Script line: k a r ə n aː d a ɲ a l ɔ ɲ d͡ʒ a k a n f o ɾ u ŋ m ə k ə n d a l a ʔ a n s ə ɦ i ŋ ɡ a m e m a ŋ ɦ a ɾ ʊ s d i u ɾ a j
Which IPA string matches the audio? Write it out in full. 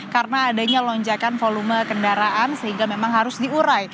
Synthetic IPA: k a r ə n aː d a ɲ a l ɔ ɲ d͡ʒ a k a n f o l u m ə k ə n d a ɾ a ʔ a n s ə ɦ i ŋ ɡ a m e m a ŋ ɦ a ɾ ʊ s d i u ɾ a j